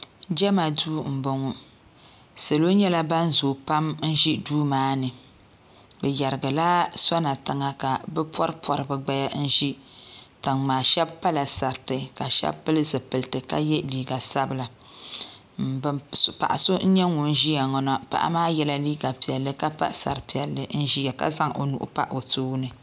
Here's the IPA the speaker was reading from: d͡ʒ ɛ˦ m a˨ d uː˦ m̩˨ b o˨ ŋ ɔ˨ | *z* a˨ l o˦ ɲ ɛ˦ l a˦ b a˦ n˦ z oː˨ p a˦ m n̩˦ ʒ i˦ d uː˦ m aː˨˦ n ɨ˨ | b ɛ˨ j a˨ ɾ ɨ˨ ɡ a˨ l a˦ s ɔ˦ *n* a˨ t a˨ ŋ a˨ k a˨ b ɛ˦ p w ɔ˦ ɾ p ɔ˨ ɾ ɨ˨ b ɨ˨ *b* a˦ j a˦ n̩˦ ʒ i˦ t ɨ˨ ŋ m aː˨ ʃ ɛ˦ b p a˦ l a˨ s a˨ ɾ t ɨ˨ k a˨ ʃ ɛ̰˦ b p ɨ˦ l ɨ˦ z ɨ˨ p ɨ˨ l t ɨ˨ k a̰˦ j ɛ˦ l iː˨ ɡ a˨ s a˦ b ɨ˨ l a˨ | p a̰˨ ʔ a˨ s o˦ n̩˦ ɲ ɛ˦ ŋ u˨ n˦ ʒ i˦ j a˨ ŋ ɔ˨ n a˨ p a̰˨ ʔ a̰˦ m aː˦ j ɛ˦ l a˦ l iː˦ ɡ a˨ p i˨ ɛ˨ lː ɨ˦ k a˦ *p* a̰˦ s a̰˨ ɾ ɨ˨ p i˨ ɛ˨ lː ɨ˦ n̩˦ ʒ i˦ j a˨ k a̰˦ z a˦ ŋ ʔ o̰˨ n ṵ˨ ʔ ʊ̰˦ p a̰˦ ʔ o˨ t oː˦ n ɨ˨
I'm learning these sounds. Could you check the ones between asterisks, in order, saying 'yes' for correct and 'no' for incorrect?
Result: no, yes, no, yes

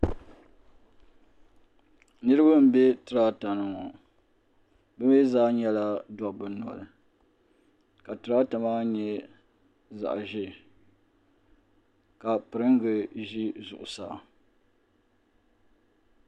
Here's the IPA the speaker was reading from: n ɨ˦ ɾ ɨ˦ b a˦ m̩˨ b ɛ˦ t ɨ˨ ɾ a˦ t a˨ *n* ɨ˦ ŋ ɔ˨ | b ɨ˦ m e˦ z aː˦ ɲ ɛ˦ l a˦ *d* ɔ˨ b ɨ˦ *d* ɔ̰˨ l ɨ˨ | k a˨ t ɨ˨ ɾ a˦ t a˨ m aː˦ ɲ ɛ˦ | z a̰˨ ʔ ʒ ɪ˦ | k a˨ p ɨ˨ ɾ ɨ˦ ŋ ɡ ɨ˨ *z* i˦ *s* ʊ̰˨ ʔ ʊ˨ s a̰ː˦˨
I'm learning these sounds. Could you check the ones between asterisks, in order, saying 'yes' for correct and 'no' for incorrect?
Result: yes, yes, no, no, no

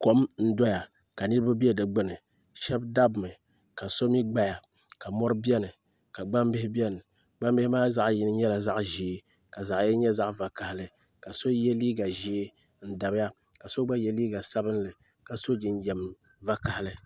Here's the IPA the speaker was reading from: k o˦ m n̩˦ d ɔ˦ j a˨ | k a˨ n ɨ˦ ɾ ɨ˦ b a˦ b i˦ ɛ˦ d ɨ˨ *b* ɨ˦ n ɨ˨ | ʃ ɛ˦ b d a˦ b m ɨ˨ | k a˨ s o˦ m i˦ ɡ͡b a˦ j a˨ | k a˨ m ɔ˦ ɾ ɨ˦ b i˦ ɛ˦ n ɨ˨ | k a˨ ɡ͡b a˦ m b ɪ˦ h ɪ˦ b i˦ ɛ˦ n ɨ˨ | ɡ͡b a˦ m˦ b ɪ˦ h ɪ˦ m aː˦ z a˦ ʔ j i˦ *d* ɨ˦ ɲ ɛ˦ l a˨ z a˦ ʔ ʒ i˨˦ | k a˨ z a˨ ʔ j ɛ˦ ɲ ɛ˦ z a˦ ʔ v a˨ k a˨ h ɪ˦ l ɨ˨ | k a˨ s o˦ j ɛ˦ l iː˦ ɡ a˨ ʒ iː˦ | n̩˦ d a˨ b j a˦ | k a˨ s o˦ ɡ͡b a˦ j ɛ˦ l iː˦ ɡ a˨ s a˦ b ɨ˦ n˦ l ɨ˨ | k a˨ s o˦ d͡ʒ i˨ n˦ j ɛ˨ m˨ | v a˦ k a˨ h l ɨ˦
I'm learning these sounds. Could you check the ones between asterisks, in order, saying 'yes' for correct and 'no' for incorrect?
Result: no, no

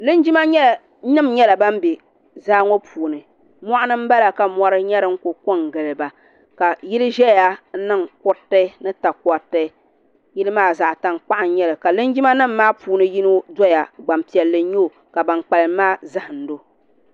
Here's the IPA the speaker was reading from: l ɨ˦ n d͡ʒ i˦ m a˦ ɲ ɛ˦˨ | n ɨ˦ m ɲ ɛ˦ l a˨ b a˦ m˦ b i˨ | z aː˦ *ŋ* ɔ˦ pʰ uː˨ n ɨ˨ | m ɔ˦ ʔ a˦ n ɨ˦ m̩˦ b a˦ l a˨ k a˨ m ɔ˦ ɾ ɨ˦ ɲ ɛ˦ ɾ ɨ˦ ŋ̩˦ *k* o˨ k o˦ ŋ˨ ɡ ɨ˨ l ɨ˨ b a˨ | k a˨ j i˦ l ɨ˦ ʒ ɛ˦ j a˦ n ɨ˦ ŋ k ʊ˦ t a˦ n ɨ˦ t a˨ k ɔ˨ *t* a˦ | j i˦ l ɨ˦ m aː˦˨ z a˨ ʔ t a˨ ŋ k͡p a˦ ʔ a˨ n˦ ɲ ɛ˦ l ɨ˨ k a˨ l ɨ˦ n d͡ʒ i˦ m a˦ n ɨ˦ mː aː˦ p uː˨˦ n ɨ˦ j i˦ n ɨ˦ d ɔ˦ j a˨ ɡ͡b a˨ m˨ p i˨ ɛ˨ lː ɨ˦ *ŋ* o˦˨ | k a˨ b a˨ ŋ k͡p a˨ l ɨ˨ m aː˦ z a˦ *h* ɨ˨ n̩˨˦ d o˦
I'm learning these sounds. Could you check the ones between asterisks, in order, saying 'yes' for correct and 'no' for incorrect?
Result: yes, yes, yes, no, yes

